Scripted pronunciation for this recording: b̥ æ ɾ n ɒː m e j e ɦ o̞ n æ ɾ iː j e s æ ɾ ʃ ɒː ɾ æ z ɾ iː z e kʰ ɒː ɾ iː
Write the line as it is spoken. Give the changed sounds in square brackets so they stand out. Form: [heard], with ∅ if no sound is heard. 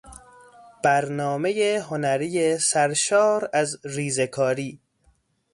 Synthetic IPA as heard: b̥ æ ɾ n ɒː m e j e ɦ o̞ n æ ɾ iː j e s æ ɾ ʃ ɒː ɾ æ z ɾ iː z e kʰ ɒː ɾ iː